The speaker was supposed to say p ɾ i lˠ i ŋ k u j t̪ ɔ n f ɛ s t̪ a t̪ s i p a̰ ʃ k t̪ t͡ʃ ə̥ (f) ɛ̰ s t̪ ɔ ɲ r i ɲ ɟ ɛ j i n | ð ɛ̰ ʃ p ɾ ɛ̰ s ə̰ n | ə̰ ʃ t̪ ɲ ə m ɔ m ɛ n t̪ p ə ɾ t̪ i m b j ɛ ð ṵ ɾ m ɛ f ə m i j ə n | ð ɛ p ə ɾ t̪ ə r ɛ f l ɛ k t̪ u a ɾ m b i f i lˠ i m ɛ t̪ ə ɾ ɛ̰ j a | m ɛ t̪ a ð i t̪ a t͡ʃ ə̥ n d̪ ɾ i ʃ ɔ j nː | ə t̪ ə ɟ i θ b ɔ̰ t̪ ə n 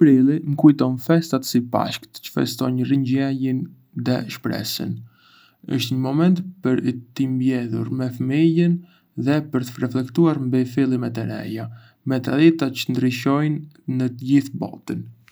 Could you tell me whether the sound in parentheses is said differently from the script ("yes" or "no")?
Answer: no